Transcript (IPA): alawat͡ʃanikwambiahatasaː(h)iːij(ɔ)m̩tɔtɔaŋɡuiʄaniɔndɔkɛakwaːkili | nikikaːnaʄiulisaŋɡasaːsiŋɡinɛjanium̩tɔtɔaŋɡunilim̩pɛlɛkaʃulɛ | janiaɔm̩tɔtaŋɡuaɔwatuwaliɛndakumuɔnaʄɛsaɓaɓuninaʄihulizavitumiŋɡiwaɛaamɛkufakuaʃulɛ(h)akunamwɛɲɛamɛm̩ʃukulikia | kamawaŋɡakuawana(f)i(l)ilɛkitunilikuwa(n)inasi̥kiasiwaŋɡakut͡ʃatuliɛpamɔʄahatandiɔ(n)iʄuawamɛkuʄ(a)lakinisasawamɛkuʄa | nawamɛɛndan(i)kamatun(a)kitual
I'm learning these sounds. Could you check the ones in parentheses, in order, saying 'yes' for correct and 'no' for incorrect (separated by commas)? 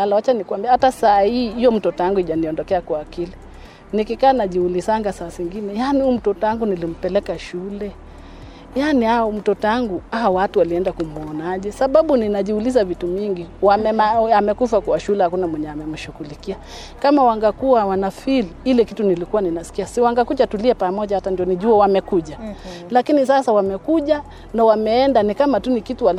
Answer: yes, yes, yes, yes, yes, yes, yes, yes, yes, no